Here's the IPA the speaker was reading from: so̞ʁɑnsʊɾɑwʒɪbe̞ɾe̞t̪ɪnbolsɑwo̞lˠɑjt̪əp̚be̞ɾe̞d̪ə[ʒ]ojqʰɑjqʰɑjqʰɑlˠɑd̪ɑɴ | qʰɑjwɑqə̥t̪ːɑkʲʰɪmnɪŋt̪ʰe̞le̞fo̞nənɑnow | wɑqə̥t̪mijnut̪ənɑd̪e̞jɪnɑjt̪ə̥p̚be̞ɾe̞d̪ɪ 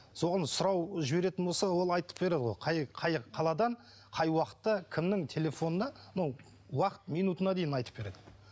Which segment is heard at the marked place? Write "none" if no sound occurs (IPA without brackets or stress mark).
ʁ